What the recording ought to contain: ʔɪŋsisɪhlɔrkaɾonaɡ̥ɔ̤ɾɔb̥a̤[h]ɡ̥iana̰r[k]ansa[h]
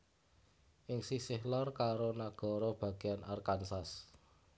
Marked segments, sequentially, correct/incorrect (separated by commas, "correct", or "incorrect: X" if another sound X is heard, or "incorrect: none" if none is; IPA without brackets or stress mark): incorrect: none, correct, incorrect: s